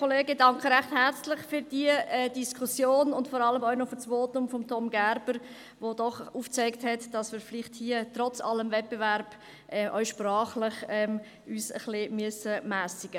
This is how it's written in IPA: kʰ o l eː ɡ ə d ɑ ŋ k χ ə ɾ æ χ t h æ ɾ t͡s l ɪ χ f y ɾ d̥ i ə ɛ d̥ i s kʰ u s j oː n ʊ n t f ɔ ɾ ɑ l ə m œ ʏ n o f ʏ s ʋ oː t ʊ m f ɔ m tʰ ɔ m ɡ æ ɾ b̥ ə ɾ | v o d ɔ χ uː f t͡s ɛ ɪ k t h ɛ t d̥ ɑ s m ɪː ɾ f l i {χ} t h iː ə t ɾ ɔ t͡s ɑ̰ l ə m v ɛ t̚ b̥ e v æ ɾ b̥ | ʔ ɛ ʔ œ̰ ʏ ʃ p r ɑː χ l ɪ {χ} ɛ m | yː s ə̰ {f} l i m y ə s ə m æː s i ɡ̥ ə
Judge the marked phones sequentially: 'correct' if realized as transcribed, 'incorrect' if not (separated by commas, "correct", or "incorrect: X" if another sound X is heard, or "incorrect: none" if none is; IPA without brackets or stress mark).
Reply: correct, correct, incorrect: χ